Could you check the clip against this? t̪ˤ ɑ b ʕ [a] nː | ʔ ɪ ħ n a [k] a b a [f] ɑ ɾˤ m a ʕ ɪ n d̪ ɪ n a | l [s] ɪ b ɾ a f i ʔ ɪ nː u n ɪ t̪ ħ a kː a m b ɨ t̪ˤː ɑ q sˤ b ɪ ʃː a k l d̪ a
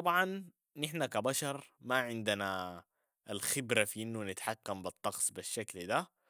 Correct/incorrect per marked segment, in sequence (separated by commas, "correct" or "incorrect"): incorrect, correct, incorrect, incorrect